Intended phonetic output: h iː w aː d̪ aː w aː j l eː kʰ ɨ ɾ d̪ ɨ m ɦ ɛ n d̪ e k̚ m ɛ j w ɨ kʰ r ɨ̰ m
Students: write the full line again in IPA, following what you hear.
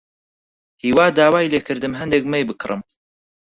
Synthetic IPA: h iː w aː d̪ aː w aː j l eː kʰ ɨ ɾ d̪ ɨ m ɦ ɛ n d̪ e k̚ m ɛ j b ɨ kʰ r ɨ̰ m